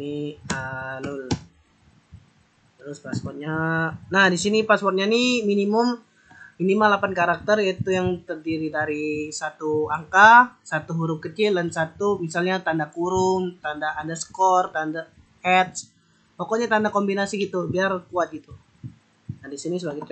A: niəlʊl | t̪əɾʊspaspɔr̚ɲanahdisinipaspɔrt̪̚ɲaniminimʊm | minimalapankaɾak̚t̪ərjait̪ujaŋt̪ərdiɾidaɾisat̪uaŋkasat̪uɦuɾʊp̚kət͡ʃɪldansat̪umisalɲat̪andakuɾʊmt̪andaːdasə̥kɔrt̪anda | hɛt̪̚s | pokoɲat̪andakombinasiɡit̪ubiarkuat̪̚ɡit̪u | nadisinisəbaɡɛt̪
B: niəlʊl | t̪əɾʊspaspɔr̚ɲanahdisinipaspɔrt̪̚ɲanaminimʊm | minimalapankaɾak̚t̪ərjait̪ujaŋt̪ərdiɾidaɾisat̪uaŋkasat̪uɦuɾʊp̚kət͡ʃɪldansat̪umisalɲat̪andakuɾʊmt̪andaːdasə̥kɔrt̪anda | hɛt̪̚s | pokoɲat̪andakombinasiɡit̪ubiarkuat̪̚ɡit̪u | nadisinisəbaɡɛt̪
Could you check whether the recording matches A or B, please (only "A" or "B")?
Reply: A